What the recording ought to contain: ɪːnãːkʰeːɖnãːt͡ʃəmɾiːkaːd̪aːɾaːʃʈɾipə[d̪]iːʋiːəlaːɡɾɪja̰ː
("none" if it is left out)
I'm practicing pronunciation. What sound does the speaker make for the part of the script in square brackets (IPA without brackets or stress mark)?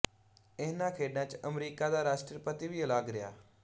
t̪